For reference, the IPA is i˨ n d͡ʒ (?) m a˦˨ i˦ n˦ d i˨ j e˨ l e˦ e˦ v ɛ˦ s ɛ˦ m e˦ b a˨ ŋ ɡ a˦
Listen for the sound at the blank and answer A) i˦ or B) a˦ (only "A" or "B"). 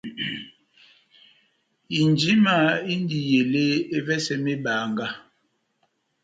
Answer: A